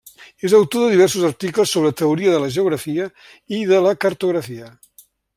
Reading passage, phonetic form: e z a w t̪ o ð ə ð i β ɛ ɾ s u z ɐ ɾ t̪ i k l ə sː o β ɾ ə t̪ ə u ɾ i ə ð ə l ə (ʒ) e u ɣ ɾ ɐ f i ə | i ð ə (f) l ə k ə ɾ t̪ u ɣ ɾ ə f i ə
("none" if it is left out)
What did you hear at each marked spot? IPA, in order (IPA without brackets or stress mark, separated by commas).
ʒ, none